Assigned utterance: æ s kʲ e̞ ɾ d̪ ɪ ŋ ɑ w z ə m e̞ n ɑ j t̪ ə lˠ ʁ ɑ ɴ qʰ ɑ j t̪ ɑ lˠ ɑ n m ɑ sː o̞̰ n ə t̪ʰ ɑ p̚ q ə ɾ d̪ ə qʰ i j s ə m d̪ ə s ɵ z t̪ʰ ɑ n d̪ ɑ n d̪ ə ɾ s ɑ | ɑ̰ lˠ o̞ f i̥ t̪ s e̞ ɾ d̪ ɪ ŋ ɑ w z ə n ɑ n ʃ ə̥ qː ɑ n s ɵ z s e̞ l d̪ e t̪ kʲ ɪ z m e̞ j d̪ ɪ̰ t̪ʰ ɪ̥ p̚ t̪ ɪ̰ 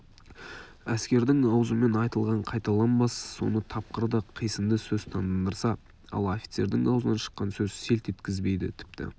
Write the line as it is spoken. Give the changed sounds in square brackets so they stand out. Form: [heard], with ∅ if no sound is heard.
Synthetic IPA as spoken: æ s kʲ e̞ ɾ d̪ ɪ ŋ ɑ w z ə m e̞ n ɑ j t̪ ə lˠ ʁ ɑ ɴ qʰ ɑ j t̪ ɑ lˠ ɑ n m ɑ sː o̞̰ n ə t̪ʰ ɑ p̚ q ə ɾ d̪ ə qʰ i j s ə m d̪ ə s ɵ z t̪ʰ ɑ n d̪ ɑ n d̪ ə ɾ s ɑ | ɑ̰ lˠ o̞ f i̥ t̪ s e̞ ɾ d̪ ɪ ŋ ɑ w z ə n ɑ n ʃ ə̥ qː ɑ n s ɵ z s e̞ l [t̪] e t̪ kʲ ɪ z [b] e̞ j d̪ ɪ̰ t̪ʰ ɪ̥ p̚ t̪ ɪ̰

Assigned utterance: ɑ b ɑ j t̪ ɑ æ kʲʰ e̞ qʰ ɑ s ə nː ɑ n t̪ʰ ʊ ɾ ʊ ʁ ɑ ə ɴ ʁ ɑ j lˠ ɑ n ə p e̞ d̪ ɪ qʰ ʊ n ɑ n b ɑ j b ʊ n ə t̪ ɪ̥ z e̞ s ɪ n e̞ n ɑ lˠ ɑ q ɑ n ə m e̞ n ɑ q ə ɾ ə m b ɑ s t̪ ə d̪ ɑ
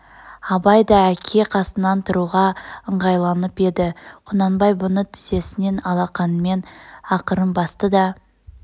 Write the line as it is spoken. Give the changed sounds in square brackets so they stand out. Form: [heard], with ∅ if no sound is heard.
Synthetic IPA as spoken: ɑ b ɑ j [d̪] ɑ æ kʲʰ e̞ qʰ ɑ s ə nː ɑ n t̪ʰ ʊ ɾ [u] ʁ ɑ ə ɴ ʁ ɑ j lˠ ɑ n ə p e̞ d̪ ɪ qʰ ʊ n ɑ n b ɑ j b ʊ n ə [t̪ʰ] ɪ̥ z e̞ s ɪ n e̞ n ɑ lˠ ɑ q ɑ n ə m e̞ n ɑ q ə ɾ ə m b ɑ s t̪ ə d̪ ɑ

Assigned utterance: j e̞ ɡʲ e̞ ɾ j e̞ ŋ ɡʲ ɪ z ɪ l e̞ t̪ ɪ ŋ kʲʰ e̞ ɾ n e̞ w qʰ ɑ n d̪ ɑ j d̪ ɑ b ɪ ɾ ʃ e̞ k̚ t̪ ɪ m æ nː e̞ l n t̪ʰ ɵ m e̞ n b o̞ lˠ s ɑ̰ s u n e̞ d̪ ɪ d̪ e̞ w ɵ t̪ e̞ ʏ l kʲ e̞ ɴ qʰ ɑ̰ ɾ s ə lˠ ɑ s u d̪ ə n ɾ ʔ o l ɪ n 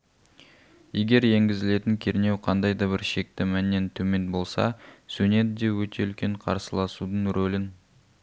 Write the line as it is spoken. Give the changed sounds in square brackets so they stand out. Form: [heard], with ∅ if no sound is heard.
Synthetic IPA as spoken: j e̞ ɡʲ e̞ ɾ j e̞ ŋ ɡʲ ɪ z ɪ l e̞ t̪ ɪ ŋ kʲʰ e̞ ɾ n e̞ w qʰ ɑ n d̪ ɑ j d̪ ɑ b ɪ ɾ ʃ e̞ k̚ t̪ ɪ m æ nː e̞ [∅] n t̪ʰ ɵ m e̞ n b o̞ lˠ s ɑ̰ s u n e̞ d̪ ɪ d̪ e̞ w ɵ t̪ e̞ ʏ l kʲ e̞ ɴ qʰ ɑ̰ ɾ s ə lˠ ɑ s u d̪ ə [ɴ] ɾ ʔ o l ɪ n

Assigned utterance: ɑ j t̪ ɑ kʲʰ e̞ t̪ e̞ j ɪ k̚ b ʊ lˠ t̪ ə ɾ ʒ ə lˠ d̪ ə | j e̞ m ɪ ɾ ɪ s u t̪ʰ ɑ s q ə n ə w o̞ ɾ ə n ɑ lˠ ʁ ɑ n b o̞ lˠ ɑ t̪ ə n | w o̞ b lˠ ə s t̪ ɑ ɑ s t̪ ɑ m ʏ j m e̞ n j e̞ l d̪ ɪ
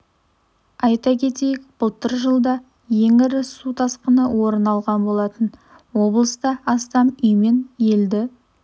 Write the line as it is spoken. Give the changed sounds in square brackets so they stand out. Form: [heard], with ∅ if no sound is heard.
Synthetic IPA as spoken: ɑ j t̪ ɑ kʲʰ e̞ t̪ e̞ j ɪ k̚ b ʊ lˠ t̪ ə ɾ ʒ ə lˠ d̪ [ɑ] | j e̞ [ŋ] ɪ ɾ ɪ s u t̪ʰ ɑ s q ə n ə w o̞ ɾ ə n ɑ lˠ ʁ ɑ n b o̞ lˠ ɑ t̪ ə n | w o̞ b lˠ ə s t̪ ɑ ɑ s t̪ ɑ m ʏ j m e̞ n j e̞ l d̪ ɪ

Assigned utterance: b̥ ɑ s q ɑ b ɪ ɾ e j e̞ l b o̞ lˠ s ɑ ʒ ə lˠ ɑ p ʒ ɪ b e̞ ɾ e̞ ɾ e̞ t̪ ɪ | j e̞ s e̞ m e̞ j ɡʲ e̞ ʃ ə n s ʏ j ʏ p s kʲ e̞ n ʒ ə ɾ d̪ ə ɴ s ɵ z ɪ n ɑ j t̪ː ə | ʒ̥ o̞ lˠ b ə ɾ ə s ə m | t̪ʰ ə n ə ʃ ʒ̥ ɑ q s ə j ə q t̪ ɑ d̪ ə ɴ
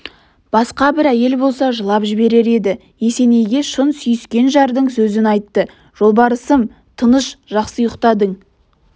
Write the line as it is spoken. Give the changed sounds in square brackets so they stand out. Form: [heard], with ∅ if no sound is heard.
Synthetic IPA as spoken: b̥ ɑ s q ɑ b ɪ ɾ [æ] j e̞ l b o̞ lˠ s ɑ ʒ ə lˠ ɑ p ʒ ɪ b e̞ ɾ e̞ ɾ e̞ [d̪] ɪ | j e̞ s e̞ [n] e̞ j ɡʲ e̞ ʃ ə n s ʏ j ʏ [∅] s kʲ e̞ n ʒ [ɑ] ɾ d̪ ə ɴ s ɵ z ɪ n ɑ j t̪ː ə | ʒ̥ o̞ lˠ b [ɑ] ɾ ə s ə m | t̪ʰ ə n ə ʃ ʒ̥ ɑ q s ə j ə q t̪ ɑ d̪ ə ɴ

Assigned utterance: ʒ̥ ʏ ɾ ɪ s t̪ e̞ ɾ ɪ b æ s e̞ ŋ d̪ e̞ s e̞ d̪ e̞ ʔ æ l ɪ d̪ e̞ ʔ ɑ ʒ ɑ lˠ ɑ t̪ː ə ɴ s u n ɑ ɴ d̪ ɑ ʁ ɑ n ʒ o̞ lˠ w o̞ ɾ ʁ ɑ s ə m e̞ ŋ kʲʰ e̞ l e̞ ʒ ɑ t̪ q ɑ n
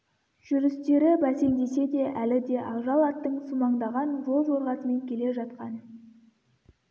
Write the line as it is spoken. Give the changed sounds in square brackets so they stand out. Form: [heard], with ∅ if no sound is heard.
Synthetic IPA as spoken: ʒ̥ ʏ ɾ ɪ s t̪ e̞ ɾ ɪ b æ s e̞ ŋ d̪ e̞ s e̞ d̪ e̞ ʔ æ l ɪ d̪ e̞ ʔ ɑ ʒ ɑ lˠ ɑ t̪ː ə ɴ s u [m] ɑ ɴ d̪ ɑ ʁ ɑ n ʒ o̞ lˠ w o̞ ɾ ʁ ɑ s ə m e̞ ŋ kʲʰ e̞ l e̞ ʒ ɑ t̪ q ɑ n

